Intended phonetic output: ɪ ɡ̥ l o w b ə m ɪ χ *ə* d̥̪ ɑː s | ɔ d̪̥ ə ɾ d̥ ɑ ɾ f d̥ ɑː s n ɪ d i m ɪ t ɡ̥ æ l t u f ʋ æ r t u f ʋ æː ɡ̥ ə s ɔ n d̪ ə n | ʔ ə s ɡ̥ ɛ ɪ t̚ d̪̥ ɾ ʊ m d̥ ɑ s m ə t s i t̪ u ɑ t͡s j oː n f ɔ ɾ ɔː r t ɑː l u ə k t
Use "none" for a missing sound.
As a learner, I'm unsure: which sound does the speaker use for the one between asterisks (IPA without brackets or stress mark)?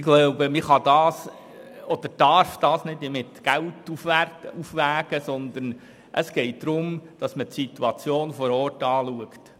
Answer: ɑ